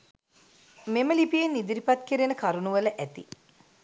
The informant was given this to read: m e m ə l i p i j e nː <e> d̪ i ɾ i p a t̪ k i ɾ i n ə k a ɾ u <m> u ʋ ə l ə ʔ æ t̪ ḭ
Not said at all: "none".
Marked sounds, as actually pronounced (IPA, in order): i, n

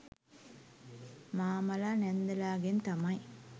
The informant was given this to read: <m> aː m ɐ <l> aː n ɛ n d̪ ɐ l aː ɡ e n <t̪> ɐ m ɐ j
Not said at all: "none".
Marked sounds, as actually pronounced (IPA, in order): m, l, t̪

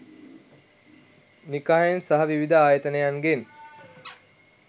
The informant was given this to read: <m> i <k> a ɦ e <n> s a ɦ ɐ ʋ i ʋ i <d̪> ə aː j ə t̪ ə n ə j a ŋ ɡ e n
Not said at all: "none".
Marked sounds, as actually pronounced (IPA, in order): n, k, n, d̪

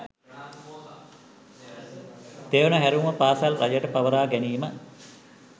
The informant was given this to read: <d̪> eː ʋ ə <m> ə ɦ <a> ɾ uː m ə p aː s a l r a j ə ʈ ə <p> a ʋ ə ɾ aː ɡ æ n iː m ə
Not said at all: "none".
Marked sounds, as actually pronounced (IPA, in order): t̪, n, æ, p

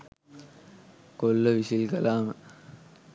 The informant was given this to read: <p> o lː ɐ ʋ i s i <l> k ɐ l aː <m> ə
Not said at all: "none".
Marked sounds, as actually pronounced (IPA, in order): k, l, m

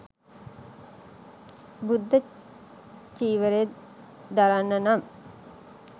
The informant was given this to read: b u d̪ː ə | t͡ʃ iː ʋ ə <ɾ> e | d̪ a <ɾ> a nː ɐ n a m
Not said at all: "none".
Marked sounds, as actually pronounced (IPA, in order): ɾ, ɾ

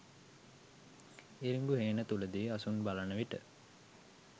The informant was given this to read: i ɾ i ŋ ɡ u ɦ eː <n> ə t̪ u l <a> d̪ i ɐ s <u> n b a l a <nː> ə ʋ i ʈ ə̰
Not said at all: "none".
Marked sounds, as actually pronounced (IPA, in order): n, ə, u, n

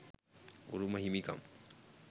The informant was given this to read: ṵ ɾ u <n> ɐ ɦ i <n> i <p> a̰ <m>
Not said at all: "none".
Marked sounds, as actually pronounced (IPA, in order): m, m, k, m

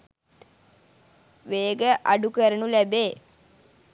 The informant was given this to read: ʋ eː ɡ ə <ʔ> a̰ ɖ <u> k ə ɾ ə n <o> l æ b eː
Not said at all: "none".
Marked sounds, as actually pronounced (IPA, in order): ʔ, u, u

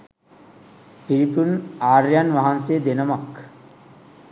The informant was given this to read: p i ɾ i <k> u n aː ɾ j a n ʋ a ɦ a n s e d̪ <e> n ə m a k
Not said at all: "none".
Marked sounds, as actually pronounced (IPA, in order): p, e

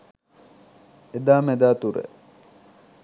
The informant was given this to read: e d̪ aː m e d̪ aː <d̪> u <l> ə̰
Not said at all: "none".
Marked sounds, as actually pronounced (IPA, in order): t̪, ɾ

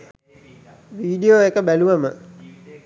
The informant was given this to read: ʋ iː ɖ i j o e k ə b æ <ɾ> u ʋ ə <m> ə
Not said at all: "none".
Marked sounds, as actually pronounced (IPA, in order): l, m

